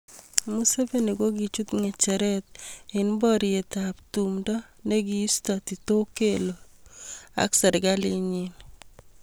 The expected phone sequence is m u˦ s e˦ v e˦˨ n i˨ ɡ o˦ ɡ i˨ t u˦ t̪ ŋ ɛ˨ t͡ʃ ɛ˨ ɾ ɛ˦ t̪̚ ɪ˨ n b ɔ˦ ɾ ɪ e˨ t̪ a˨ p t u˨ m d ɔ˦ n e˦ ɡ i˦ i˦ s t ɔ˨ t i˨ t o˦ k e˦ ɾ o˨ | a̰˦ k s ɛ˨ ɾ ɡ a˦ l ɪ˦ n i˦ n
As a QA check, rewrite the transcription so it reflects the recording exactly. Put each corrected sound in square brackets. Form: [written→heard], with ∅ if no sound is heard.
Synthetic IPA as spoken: m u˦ s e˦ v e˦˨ n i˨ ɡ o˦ ɡ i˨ [t→t͡ʃ] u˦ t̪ ŋ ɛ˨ t͡ʃ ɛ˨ ɾ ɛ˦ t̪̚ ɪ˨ n b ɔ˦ ɾ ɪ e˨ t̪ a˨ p t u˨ m d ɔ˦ n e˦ ɡ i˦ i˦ s t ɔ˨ t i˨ t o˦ k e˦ [ɾ→l] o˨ | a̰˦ k s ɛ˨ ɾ ɡ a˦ l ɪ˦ [n→ɲ] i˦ n